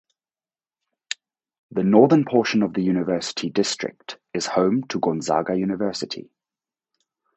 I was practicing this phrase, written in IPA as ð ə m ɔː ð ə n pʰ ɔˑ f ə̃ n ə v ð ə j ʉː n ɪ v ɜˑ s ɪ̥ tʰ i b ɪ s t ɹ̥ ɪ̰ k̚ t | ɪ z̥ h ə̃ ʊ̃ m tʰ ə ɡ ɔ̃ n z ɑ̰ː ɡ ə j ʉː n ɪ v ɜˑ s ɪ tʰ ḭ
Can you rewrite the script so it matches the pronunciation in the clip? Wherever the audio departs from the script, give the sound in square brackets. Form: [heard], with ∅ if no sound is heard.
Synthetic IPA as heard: ð ə [n] ɔː ð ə n pʰ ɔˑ [ʃ] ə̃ n ə v ð ə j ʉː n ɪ v ɜˑ s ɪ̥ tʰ i [d] ɪ s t ɹ̥ ɪ̰ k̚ t | ɪ z̥ h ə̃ ʊ̃ m tʰ ə ɡ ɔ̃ n z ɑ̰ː ɡ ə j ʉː n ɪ v ɜˑ s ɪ tʰ ḭ

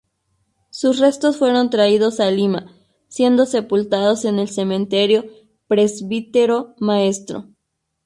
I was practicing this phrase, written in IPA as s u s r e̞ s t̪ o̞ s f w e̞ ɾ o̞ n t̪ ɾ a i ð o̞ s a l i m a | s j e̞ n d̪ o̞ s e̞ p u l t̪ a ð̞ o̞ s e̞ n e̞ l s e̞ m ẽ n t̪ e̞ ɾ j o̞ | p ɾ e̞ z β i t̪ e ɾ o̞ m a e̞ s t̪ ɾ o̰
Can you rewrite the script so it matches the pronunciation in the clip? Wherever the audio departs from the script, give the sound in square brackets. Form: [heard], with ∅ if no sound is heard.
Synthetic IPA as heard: s u s r e̞ s t̪ o̞ s f w e̞ ɾ o̞ n t̪ ɾ a i ð o̞ s a l i m a | s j e̞ n d̪ o̞ s e̞ p u l t̪ a ð̞ o̞ s e̞ n e̞ l s e̞ m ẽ n t̪ e̞ ɾ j o̞ | p ɾ e̞ z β i t̪ e ɾ o̞ m a e̞ s t̪ ɾ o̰

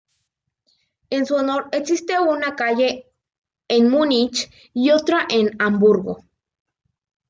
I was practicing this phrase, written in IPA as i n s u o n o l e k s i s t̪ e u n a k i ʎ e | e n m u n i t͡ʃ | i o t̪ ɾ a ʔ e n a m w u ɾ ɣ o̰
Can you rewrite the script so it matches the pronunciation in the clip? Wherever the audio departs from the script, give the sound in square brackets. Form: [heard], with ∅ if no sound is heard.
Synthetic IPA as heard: [e] n s u o n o [ɾ] e k s i s t̪ e u n a k [a] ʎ e | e n m u n i t͡ʃ | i o t̪ ɾ a ʔ e n a m [b] u ɾ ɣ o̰

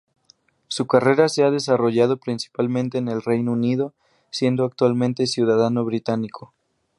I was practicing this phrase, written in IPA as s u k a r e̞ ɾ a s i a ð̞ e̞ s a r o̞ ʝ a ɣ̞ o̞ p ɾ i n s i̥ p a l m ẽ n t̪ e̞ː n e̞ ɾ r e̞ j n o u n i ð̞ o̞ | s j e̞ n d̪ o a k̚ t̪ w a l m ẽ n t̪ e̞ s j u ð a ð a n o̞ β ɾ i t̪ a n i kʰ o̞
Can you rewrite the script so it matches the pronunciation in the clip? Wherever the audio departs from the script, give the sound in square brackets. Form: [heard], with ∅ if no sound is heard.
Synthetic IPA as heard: s u k a r e̞ ɾ a s [e] a ð̞ e̞ s a r o̞ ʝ a [ð̞] o̞ p ɾ i n s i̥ p a l m ẽ n t̪ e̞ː n e̞ [l] r e̞ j n o u n i ð̞ o̞ | s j e̞ n d̪ o a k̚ t̪ w a l m ẽ n t̪ e̞ s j u ð a ð a n o̞ β ɾ i t̪ a n i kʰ o̞

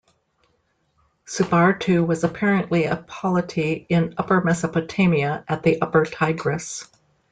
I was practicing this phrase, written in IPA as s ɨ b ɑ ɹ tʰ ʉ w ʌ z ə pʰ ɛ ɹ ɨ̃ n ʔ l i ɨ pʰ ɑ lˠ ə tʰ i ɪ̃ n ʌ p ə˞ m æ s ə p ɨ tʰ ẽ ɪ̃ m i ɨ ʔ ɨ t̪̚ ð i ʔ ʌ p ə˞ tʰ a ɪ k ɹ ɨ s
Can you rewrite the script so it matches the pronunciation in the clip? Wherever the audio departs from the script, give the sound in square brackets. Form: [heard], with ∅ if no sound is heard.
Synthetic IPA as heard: s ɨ b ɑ ɹ tʰ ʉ w ʌ z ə pʰ ɛ ɹ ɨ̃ n ʔ l i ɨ pʰ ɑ lˠ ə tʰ i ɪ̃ n ʌ p ə˞ m [ɛ] s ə p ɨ tʰ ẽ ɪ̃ m i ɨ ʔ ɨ t̪̚ ð i ʔ ʌ p ə˞ tʰ a ɪ [ɡ] ɹ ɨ s

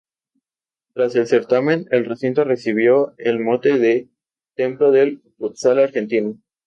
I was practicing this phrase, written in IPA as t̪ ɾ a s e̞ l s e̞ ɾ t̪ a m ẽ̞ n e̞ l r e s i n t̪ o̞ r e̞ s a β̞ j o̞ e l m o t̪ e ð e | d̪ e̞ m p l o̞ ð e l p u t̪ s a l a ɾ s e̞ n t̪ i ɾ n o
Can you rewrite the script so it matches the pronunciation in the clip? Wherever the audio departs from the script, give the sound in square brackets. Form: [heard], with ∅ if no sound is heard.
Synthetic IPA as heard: t̪ ɾ a s e̞ l s e̞ ɾ t̪ a m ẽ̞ n e̞ l r e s i n t̪ o̞ r e̞ s [i] β̞ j o̞ e l m o t̪ e ð e | [t̪] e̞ m p l o̞ ð e l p u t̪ s a l a ɾ [x] e̞ n t̪ i [∅] n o

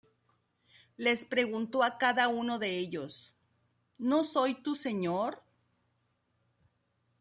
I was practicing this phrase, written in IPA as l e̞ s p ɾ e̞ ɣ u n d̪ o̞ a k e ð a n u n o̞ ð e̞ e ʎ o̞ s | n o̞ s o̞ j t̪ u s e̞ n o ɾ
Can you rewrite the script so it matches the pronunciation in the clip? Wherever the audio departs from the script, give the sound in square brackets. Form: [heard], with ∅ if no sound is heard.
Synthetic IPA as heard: l e̞ s p ɾ e̞ ɣ u n [t̪] o̞ a k [a] ð a [∅] u n o̞ ð e̞ e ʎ o̞ s | n o̞ s o̞ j t̪ u s e̞ [ɲ] o ɾ

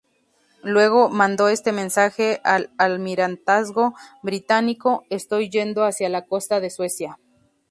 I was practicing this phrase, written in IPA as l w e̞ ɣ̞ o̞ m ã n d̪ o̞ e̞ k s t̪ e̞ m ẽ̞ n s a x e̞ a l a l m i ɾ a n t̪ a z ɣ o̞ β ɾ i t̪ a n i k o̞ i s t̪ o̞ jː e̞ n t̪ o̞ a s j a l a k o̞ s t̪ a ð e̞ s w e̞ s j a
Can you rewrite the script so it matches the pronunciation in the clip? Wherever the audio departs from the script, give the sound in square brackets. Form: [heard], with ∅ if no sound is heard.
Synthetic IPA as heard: l w e̞ ɣ̞ o̞ m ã n d̪ o̞ e̞ [∅] s t̪ e̞ m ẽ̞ n s a x e̞ a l a l m i ɾ a n t̪ a z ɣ o̞ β ɾ i t̪ a n i k o̞ [e] s t̪ o̞ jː e̞ n [d̪] o̞ a s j a l a k o̞ s t̪ a ð e̞ s w e̞ s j a

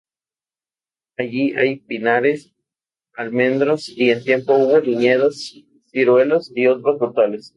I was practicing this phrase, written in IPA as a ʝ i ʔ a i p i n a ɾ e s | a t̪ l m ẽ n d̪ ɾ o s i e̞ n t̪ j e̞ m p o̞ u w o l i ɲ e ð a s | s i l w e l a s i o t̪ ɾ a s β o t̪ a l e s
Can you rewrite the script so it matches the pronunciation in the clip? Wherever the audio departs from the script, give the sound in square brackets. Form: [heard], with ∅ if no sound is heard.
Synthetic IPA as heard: a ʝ i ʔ a [j] p i n a ɾ e s | a [∅] l m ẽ n d̪ ɾ o s i e̞ n t̪ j e̞ m p o̞ u [β] o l i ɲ e ð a s | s i [ɾ] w e l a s i o t̪ ɾ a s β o t̪ a l e s

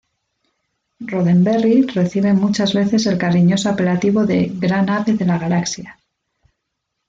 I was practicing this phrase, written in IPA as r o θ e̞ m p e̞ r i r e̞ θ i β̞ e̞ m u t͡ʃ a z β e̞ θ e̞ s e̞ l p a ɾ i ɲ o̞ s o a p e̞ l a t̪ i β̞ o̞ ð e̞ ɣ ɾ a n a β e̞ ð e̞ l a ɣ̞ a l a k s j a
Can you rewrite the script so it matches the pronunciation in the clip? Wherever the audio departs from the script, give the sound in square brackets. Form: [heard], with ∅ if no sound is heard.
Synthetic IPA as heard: r o [ð] e̞ m [b] e̞ r i r e̞ θ i β̞ e̞ m u t͡ʃ a z β e̞ θ e̞ s e̞ l [k] a ɾ i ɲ o̞ s o a p e̞ l a t̪ i β̞ o̞ ð e̞ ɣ ɾ a n a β e̞ ð e̞ l a ɣ̞ a l a k s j a

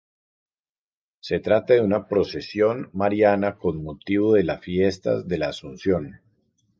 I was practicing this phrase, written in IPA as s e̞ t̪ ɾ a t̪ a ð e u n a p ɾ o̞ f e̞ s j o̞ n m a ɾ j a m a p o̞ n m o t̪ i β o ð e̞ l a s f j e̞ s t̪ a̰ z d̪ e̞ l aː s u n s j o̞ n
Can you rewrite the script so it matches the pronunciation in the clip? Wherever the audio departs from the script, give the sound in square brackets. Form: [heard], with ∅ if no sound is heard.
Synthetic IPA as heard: s e̞ t̪ ɾ a t̪ a ð e u n a p ɾ o̞ [s] e̞ s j o̞ n m a ɾ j a [n] a [k] o̞ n m o t̪ i β o ð e̞ l a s f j e̞ s t̪ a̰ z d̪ e̞ l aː s u n s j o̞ n

